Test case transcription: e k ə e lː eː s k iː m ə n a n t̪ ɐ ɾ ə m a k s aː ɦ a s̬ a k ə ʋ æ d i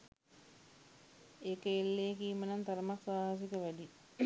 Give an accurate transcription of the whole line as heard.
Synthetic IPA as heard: e k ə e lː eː k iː m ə n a n t̪ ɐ ɾ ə m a k s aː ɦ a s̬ i k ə ʋ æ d i